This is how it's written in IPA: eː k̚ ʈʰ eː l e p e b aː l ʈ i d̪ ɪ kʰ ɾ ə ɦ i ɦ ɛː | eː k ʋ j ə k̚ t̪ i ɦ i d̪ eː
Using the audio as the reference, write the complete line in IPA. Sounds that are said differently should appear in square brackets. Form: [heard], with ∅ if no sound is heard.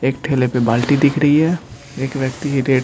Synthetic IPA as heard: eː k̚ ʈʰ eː l e p e b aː l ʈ i d̪ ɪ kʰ ɾ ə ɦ i ɦ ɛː | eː k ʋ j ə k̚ t̪ i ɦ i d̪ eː